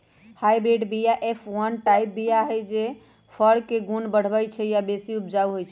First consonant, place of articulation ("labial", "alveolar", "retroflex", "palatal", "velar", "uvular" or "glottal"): glottal